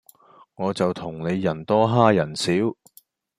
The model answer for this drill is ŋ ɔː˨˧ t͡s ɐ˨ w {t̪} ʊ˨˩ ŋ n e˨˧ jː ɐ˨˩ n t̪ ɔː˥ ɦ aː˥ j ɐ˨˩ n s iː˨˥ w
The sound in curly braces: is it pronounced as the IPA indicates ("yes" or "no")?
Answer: no